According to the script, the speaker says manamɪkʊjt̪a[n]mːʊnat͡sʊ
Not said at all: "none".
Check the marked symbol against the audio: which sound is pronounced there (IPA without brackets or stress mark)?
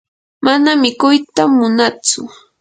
none